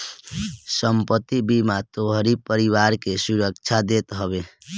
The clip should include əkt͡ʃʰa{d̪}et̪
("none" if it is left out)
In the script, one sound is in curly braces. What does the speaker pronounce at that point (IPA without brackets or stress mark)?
d̪